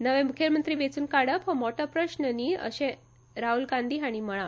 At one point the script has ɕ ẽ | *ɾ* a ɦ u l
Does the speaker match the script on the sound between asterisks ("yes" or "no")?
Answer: yes